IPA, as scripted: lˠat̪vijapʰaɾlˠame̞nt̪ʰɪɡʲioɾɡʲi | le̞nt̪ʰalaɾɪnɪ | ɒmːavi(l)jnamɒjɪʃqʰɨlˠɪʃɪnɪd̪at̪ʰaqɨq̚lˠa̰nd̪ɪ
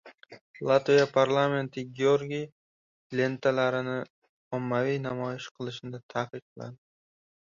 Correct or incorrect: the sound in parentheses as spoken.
incorrect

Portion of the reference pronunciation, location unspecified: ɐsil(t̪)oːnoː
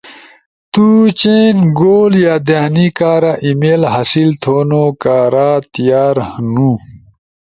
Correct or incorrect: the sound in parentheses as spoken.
incorrect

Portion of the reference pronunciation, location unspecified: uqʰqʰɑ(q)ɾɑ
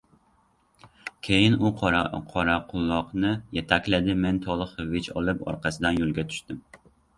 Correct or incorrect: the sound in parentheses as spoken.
incorrect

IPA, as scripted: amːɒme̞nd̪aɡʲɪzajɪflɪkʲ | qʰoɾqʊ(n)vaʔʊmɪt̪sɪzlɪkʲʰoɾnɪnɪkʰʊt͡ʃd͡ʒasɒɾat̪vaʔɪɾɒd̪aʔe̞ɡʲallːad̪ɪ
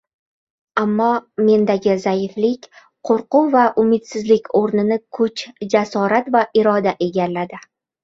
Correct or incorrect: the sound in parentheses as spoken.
incorrect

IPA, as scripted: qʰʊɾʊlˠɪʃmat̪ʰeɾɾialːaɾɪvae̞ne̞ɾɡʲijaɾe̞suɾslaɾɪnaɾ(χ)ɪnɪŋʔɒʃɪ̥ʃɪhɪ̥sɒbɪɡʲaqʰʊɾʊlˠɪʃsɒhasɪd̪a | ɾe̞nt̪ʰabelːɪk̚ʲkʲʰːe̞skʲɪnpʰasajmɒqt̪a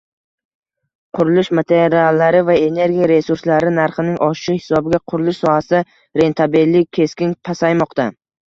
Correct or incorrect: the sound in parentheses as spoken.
correct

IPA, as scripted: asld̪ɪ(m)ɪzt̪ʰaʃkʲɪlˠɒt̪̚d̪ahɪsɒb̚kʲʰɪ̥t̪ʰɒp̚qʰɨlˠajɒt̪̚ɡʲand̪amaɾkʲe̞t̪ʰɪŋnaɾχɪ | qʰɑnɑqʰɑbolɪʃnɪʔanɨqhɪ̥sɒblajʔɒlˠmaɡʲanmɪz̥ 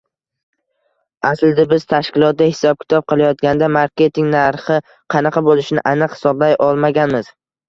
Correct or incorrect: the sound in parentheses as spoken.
incorrect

